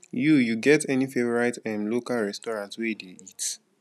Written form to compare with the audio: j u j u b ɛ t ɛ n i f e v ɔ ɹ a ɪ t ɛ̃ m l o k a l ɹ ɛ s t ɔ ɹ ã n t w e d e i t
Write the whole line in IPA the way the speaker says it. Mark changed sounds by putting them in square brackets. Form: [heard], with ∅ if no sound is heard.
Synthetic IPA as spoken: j u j u [ɡ] ɛ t ɛ n i f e v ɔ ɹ a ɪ t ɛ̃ m l o k a l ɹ ɛ s t ɔ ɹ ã n t w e d e i t